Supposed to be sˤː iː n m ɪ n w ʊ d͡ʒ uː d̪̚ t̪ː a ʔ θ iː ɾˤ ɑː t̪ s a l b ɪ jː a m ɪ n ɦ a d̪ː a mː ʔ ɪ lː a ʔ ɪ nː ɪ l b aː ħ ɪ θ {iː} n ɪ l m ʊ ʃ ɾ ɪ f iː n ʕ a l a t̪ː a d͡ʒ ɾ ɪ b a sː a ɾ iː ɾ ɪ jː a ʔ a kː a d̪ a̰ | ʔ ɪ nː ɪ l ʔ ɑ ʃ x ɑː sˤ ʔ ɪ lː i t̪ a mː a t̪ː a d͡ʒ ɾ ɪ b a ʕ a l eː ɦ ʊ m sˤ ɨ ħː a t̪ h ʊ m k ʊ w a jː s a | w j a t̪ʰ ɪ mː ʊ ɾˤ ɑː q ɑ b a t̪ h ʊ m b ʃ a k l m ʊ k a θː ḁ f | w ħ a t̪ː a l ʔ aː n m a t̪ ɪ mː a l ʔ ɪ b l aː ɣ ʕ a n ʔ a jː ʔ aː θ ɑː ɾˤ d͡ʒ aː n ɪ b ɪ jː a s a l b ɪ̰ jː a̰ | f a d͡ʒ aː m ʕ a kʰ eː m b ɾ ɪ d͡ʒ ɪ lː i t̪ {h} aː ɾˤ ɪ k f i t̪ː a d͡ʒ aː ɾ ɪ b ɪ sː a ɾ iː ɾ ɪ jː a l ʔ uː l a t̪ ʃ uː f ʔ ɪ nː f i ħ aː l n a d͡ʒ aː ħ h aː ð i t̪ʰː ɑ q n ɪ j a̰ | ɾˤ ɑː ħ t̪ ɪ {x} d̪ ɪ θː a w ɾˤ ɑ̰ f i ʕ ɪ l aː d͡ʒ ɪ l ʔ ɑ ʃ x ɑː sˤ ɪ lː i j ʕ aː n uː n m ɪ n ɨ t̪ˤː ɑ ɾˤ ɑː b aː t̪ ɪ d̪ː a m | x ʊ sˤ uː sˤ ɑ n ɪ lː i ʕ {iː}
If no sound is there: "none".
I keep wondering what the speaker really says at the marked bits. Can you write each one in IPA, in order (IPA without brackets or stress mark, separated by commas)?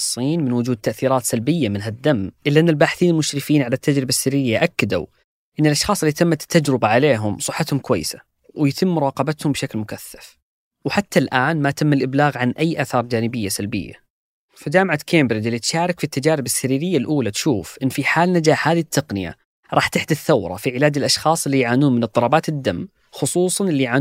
iː, ʃ, ħ, aː